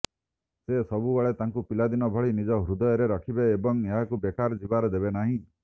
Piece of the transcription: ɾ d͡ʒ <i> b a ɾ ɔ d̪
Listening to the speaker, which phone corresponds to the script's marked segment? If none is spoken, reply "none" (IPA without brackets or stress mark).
i